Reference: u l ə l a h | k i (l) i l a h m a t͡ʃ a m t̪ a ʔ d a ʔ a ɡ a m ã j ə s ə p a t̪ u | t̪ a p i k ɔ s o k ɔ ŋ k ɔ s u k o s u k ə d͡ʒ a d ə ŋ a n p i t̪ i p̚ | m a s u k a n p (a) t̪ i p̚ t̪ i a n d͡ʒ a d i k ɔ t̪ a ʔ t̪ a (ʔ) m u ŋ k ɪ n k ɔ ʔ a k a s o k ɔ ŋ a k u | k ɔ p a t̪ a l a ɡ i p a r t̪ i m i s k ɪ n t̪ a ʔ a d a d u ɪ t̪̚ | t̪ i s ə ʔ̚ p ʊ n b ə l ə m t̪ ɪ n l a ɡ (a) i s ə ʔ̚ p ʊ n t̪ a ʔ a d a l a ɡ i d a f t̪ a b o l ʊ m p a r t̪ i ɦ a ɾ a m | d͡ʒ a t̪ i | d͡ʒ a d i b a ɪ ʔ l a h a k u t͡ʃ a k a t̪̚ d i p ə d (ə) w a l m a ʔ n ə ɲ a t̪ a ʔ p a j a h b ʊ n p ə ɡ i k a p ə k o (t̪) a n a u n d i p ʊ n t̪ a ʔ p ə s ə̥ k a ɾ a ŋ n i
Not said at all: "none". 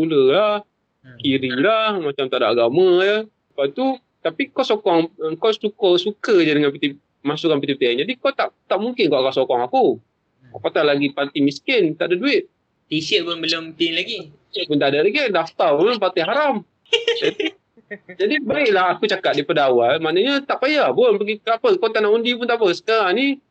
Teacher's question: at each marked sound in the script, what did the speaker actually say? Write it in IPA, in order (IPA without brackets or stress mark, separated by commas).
ɾ, i, ʔ, i, a, t̪